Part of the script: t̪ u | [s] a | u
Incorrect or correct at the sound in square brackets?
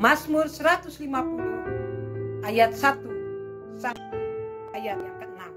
correct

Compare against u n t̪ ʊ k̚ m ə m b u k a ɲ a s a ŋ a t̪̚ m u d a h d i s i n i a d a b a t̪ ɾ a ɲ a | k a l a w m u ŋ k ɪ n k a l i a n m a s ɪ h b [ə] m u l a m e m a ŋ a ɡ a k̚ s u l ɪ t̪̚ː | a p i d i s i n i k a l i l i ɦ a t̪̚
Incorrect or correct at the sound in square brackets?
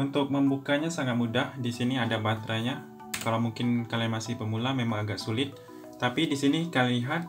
correct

